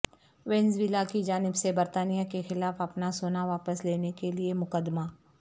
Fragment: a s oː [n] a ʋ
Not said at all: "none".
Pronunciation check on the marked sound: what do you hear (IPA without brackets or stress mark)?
n